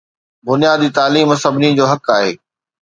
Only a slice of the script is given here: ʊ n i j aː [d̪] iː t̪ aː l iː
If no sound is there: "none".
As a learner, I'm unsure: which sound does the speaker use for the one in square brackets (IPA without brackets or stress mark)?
d̪